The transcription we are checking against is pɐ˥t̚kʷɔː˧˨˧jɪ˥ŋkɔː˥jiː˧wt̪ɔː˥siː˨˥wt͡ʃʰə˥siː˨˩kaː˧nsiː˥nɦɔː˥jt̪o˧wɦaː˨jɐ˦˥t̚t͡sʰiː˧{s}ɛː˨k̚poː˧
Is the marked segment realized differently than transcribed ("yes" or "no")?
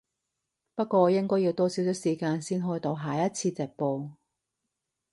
yes